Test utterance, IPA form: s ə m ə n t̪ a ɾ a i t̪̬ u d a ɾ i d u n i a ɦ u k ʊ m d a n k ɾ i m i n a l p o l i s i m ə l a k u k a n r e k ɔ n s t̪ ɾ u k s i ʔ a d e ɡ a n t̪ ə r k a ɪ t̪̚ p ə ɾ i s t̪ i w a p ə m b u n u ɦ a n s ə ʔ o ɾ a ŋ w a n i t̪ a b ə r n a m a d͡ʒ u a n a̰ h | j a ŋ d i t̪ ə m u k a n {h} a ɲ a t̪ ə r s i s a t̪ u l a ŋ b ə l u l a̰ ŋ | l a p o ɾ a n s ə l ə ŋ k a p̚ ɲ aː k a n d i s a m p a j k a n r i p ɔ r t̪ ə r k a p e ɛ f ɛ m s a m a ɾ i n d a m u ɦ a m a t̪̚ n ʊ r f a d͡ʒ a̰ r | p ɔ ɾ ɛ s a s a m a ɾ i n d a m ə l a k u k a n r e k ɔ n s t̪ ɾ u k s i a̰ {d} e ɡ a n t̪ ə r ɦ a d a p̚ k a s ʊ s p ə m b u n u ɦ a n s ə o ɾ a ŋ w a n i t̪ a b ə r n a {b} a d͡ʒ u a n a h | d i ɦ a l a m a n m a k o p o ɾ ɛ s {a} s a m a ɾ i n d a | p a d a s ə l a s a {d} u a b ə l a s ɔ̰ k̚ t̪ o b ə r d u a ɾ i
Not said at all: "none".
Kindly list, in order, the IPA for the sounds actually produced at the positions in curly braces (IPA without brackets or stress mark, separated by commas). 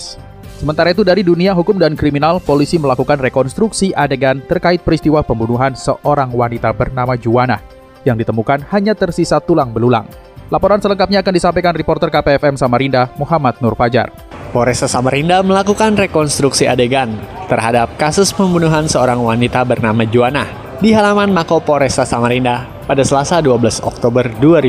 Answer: h, d, m, a, d